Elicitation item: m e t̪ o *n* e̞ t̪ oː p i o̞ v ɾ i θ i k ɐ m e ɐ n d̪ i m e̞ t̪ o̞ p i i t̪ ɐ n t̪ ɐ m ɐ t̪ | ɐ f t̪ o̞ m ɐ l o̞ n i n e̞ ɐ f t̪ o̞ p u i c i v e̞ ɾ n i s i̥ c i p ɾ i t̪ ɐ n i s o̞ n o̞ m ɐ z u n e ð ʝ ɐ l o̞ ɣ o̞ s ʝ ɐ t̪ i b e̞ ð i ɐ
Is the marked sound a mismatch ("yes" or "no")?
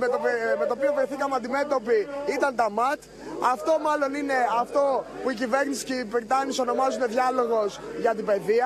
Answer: yes